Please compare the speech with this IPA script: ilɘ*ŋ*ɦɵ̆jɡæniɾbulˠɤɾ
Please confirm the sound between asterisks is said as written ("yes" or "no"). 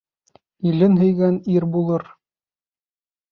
no